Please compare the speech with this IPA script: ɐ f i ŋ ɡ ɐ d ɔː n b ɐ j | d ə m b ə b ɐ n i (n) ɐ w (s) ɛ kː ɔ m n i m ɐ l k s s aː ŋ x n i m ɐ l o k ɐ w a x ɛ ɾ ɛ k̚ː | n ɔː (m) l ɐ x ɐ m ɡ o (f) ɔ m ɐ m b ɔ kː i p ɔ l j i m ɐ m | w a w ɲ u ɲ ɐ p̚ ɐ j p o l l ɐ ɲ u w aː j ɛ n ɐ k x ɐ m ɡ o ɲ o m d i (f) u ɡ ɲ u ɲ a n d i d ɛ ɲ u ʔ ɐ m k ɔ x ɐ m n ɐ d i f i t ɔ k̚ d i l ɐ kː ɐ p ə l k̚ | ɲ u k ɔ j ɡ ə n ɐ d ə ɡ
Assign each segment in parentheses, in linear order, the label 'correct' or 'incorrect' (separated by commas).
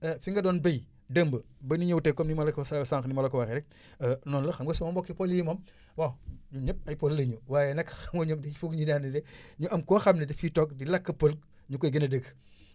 incorrect, incorrect, incorrect, incorrect, correct